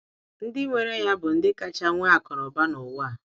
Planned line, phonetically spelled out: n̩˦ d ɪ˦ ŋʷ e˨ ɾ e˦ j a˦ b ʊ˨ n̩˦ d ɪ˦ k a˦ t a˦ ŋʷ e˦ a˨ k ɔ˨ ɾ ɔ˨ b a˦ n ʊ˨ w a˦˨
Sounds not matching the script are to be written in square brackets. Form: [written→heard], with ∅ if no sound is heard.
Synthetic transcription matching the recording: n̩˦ d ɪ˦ ŋʷ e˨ ɾ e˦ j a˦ b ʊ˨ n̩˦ d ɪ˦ k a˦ [t→t͡ʃ] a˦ ŋʷ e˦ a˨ k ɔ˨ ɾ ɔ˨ b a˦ n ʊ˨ w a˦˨

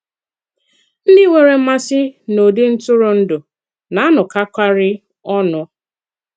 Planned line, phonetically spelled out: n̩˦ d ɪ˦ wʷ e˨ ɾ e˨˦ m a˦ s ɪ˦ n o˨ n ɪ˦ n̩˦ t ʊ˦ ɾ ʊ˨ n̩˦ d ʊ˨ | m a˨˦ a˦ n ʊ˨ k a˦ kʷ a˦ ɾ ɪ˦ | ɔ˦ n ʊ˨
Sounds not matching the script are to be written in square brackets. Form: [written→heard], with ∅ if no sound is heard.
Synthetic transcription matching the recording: n̩˦ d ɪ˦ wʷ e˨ ɾ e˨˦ m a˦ s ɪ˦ n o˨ [n→d] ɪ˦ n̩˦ t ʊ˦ ɾ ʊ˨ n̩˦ d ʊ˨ | [m→n] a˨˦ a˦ n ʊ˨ k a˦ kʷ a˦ ɾ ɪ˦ | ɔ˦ n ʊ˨

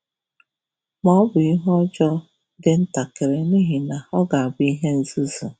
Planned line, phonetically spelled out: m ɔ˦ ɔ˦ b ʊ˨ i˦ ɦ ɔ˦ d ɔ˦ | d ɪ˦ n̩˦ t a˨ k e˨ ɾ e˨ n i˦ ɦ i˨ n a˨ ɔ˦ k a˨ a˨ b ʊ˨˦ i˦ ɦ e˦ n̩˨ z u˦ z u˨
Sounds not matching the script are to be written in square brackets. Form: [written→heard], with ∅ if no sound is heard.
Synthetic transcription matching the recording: m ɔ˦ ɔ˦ b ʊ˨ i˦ ɦ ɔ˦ [d→d͡ʒ] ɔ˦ | d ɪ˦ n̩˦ t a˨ k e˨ ɾ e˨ n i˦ ɦ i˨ n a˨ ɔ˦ [k→ɡ] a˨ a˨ b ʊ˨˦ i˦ ɦ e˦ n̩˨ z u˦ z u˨

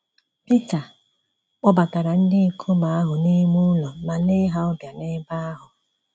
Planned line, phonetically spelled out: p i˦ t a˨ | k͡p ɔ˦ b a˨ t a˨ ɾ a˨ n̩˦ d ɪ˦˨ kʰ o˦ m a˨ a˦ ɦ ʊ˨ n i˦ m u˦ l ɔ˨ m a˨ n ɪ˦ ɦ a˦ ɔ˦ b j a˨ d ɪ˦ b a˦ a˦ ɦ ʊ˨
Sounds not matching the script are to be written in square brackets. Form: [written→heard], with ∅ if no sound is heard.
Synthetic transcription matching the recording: p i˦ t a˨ | k͡p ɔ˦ b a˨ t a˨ ɾ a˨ n̩˦ d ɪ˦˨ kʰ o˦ m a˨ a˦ ɦ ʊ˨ n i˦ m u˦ l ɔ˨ m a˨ n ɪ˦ ɦ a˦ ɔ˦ b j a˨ [d→n] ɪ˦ b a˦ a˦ ɦ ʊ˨

